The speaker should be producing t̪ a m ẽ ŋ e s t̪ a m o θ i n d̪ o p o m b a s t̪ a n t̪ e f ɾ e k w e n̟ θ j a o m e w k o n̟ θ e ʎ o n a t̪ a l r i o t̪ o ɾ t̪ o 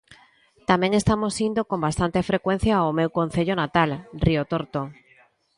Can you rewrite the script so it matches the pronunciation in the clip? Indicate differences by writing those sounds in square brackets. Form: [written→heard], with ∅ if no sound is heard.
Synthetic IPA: t̪ a m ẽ ŋ e s t̪ a m o [θ→s] i n d̪ o [p→k] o m b a s t̪ a n t̪ e f ɾ e k w e n̟ θ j a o m e w k o n̟ θ e ʎ o n a t̪ a l r i o t̪ o ɾ t̪ o